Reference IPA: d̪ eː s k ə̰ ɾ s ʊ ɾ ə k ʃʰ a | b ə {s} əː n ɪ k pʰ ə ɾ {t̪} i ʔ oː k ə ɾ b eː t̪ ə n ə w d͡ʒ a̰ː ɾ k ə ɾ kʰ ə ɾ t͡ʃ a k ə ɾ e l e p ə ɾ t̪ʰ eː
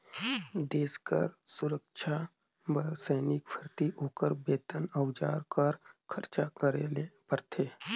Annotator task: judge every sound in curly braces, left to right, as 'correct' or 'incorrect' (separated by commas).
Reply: correct, correct